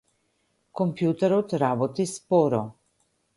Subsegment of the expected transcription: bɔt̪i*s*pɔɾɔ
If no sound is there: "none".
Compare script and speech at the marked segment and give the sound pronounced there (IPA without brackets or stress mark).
s